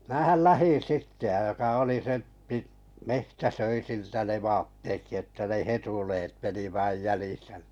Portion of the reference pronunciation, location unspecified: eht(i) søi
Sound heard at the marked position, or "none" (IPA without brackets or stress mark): æ